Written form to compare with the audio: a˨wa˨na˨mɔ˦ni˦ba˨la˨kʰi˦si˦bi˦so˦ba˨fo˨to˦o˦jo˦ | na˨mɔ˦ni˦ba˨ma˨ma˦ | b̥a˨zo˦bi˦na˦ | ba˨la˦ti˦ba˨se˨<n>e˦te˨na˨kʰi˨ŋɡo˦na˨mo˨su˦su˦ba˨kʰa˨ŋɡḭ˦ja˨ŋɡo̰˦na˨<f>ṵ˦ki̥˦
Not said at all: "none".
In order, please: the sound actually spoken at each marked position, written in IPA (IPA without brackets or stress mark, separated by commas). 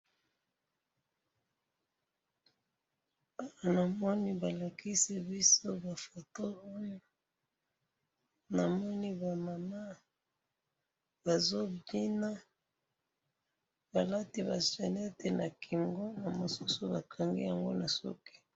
n, s